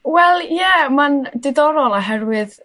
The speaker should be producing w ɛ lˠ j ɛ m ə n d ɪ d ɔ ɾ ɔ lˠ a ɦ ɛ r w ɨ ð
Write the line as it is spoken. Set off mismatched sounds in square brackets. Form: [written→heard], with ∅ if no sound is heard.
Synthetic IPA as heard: w ɛ lˠ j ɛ m [ə→a] n d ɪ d ɔ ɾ ɔ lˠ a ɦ ɛ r w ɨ ð